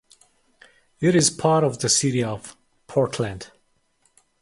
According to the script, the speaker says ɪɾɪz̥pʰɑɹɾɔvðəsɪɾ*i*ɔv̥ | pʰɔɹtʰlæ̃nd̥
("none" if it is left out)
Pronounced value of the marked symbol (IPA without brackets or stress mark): i